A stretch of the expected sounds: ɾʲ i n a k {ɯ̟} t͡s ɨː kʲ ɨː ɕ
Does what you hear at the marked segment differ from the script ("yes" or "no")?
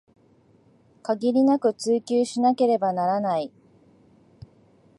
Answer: no